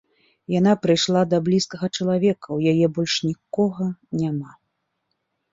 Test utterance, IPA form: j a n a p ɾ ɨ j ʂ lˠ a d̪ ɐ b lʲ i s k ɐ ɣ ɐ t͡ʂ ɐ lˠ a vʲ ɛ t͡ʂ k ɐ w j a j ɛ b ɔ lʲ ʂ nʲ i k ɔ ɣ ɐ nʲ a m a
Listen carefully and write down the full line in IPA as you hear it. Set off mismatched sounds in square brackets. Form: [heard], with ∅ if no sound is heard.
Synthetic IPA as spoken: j a n a p ɾ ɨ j ʂ lˠ a d̪ ɐ b lʲ i s k ɐ ɣ ɐ t͡ʂ ɐ lˠ a vʲ ɛ [∅] k ɐ w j a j ɛ b ɔ lʲ ʂ nʲ i k ɔ ɣ ɐ nʲ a m a